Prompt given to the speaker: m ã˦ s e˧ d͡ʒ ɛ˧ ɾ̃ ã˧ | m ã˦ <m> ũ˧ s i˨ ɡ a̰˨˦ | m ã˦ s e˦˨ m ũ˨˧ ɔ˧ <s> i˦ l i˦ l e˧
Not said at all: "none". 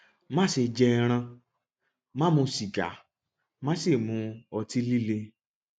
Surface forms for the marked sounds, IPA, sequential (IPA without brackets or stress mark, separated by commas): m, t